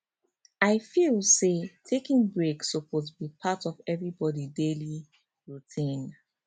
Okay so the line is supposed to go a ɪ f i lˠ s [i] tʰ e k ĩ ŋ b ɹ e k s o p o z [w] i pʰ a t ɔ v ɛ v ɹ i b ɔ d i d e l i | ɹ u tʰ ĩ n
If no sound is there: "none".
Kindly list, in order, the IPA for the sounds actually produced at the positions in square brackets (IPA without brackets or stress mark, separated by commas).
e, b